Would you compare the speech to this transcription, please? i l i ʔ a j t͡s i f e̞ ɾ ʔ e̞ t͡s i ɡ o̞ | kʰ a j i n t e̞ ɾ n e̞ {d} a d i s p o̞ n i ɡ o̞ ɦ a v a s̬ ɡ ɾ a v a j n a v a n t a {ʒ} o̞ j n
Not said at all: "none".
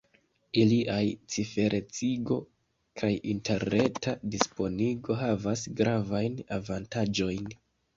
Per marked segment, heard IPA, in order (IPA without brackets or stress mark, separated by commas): t, d͡ʒ